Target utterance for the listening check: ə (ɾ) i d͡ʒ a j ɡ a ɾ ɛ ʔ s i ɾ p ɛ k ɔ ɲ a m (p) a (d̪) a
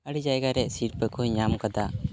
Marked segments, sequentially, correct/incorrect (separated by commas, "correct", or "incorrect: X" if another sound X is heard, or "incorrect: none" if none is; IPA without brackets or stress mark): incorrect: ɽ, incorrect: k, correct